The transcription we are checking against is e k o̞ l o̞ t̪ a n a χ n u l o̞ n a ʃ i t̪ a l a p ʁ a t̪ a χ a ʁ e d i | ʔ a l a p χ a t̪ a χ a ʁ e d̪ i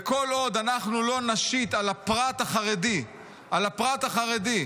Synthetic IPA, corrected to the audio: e k o̞ l o̞ d̪ a n a χ n u l o̞ n a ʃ i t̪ a l a p ʁ a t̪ a χ a ʁ e d i | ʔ a l a p ʁ a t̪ a χ a ʁ e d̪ i